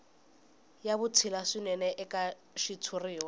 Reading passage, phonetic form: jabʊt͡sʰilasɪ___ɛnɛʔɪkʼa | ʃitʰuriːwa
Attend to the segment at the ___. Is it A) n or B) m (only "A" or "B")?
A